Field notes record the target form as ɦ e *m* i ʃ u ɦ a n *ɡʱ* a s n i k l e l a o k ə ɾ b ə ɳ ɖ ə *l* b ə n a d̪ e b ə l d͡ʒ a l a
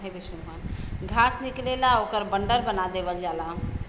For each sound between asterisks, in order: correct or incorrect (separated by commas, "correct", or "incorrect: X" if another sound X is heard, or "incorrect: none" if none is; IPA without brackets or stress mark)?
incorrect: b, correct, incorrect: ɾ